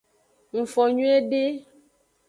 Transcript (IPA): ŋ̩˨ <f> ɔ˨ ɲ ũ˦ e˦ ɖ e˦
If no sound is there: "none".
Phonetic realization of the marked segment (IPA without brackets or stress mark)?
f